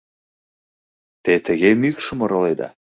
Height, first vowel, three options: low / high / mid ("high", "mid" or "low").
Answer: mid